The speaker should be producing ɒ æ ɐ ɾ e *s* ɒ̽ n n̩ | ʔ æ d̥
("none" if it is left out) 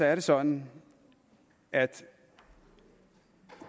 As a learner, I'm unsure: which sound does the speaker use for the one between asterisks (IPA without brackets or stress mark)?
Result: s